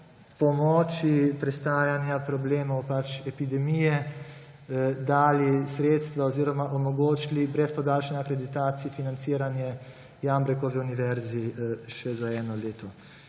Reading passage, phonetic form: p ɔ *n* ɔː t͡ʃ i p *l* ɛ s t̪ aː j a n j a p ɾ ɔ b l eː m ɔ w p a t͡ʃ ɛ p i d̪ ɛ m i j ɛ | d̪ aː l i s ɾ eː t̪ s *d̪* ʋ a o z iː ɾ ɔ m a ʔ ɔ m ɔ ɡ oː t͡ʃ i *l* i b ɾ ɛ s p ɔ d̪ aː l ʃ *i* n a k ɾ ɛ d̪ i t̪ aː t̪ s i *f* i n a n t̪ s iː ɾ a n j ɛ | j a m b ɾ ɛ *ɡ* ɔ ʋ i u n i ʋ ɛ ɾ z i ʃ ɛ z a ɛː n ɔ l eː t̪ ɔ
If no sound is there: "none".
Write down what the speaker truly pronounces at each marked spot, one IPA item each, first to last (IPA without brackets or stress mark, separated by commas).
m, ɾ, t̪, l, a, f, k